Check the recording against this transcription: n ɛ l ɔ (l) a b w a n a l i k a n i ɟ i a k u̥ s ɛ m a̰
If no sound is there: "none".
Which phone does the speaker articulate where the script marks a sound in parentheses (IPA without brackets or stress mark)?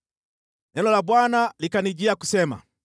l